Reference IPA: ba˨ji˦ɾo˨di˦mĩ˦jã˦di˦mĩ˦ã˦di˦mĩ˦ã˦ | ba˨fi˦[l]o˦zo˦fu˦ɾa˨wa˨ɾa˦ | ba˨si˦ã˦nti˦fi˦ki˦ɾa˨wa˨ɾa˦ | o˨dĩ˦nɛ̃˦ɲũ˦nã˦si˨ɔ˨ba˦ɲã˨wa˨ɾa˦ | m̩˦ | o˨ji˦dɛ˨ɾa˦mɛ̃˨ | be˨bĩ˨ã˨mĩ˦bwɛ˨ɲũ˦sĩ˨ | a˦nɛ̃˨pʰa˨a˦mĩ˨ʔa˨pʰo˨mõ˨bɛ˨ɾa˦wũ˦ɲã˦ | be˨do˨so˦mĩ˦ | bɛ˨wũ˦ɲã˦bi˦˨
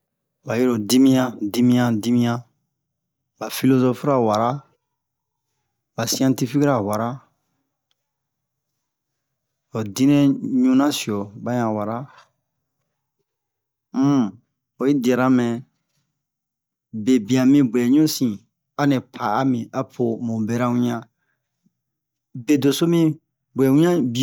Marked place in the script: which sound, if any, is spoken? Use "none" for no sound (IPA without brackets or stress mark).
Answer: l